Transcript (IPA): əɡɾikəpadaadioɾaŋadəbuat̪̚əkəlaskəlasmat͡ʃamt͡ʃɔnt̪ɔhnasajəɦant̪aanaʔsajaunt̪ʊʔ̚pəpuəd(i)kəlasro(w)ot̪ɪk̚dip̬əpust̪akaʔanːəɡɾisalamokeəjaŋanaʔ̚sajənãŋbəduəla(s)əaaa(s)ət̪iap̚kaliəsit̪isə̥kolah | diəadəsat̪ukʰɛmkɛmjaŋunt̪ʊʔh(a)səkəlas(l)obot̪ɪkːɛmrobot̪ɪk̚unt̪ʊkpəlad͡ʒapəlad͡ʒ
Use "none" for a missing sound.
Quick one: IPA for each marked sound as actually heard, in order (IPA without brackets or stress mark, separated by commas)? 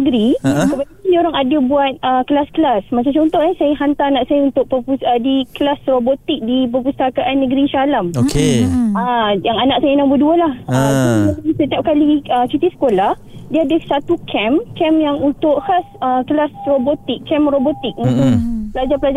i, b, h, s, a, r